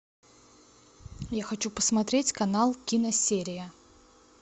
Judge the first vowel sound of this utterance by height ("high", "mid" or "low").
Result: low